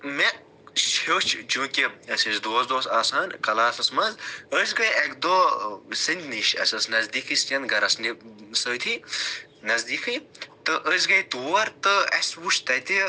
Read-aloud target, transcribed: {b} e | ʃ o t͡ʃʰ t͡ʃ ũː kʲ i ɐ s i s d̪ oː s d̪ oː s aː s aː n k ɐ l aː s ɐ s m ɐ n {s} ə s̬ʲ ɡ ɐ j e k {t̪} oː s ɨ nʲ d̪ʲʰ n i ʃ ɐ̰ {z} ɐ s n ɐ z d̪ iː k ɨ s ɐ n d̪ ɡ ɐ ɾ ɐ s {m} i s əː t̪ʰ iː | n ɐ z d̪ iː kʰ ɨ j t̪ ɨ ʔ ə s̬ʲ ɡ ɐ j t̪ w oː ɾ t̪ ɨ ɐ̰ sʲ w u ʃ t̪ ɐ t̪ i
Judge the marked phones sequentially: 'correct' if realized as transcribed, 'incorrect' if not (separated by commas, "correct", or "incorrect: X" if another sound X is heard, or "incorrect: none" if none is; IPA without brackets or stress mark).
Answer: incorrect: m, incorrect: z, incorrect: d̪, incorrect: s, incorrect: n